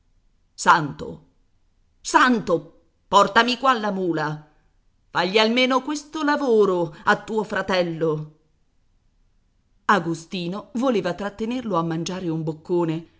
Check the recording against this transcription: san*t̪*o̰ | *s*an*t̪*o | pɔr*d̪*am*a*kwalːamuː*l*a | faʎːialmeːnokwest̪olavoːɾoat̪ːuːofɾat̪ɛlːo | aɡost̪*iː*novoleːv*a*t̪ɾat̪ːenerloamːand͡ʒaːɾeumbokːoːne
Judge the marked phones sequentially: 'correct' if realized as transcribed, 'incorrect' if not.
correct, correct, correct, incorrect, incorrect, correct, correct, correct

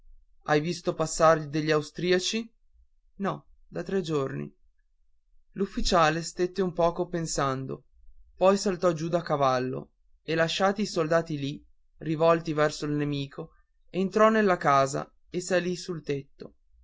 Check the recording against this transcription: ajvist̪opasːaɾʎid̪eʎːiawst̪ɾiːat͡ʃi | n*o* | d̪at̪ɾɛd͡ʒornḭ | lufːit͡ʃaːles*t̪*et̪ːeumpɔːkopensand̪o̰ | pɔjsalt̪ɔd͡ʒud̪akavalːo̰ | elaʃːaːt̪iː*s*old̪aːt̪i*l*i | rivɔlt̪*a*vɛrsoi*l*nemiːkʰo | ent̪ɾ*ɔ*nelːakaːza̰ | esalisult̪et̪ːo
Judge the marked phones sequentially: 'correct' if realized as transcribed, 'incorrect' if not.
incorrect, correct, correct, correct, incorrect, correct, correct

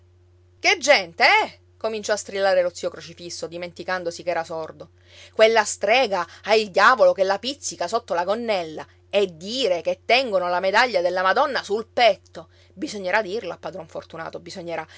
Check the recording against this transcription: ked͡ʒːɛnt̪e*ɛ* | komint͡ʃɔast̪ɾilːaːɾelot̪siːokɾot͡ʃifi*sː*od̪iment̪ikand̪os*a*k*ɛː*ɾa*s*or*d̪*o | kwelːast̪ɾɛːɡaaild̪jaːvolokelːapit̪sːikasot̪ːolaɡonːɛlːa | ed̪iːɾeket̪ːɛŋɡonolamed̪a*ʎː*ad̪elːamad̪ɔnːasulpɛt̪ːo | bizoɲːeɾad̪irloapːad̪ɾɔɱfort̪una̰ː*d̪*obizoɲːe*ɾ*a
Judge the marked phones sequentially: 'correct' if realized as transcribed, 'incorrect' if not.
correct, correct, incorrect, correct, correct, correct, correct, incorrect, correct

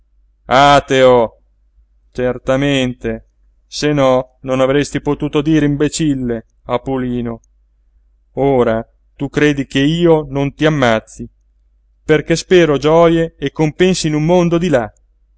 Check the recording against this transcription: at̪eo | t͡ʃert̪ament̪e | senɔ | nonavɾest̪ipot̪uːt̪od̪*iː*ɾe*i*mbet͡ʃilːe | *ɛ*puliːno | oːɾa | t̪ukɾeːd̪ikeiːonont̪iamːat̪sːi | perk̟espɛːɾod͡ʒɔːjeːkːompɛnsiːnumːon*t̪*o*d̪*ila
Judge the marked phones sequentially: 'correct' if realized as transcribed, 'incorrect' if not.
correct, correct, incorrect, incorrect, correct

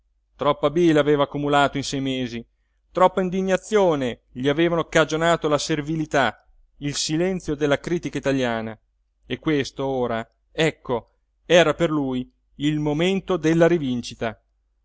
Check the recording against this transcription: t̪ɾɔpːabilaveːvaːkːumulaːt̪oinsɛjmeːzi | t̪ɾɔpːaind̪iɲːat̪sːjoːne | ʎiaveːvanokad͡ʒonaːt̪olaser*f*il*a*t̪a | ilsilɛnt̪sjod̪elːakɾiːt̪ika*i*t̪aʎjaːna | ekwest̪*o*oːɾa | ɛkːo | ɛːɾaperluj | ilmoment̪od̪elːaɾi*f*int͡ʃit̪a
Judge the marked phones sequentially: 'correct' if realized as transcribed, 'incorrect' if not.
incorrect, incorrect, correct, correct, incorrect

